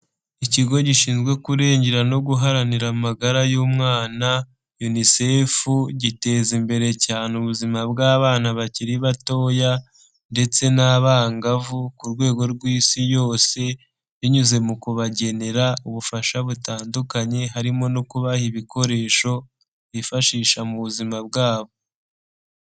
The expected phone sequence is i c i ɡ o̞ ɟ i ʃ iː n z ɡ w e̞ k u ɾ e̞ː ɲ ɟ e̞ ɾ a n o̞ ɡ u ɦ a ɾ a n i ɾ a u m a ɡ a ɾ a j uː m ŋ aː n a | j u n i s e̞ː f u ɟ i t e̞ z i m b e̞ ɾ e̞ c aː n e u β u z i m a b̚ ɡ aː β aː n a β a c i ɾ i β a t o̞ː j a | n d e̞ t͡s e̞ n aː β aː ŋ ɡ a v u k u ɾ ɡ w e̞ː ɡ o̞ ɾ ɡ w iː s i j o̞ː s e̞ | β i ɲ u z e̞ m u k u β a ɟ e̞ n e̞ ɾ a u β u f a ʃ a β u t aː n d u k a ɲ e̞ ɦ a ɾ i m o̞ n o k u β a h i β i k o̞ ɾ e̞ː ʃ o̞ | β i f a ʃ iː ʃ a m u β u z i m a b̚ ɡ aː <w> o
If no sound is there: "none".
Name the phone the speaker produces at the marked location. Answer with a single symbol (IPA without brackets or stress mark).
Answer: β